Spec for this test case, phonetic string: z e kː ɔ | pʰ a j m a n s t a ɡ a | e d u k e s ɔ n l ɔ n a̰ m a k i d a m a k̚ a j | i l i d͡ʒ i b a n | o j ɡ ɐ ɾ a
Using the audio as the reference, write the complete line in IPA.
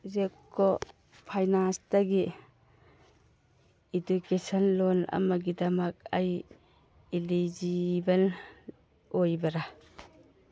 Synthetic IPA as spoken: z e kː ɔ | pʰ a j n a n s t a ɡ i | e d u k e s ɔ n l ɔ n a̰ m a ɡ i d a m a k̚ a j | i l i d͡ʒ i b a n | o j b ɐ ɾ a